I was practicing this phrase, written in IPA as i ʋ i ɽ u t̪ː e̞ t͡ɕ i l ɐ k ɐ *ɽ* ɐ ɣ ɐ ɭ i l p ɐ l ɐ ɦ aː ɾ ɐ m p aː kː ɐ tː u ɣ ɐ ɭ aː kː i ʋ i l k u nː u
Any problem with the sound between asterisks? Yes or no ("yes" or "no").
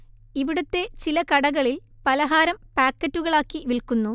no